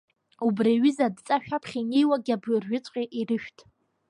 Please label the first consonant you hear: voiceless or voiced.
voiced